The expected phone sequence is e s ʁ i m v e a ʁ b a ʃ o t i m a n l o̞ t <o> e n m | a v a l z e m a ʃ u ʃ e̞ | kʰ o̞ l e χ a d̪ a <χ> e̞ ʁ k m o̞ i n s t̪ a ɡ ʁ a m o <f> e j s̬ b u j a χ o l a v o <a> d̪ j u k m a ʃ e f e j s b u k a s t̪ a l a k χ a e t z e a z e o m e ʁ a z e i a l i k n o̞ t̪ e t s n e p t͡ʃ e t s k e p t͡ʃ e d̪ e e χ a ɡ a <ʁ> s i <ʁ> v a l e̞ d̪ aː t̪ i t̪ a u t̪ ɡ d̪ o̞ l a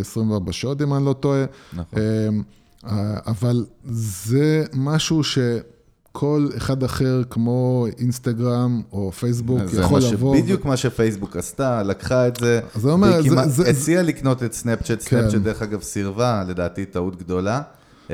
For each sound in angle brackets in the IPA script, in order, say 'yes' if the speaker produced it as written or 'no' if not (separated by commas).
yes, yes, yes, no, no, yes